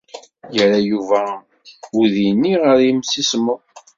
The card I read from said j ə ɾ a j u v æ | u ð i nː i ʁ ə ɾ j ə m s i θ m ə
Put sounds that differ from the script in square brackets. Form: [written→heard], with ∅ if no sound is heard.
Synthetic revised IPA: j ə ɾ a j u v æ | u ð i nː i ʁ ə ɾ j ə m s i [θ→s] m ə